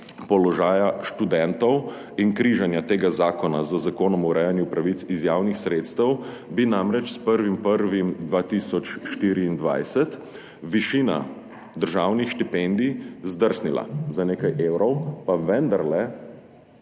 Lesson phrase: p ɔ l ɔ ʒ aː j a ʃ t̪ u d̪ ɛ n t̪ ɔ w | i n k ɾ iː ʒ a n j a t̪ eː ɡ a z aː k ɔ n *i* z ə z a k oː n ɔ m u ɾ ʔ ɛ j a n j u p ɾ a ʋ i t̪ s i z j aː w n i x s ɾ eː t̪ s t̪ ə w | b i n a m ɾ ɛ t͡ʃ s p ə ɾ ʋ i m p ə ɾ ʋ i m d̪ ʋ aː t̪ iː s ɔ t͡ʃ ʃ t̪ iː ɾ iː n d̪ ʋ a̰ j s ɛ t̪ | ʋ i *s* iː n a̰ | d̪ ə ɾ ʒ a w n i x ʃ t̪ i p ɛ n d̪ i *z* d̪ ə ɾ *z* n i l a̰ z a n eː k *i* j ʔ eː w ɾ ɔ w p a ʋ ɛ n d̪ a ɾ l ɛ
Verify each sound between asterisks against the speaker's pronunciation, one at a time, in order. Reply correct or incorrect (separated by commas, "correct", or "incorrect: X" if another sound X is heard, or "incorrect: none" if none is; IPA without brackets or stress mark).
incorrect: a, incorrect: ʃ, correct, incorrect: s, incorrect: a